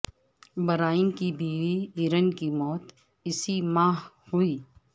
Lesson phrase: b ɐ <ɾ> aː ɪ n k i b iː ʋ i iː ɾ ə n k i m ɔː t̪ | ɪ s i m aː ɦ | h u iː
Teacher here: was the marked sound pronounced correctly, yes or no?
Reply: yes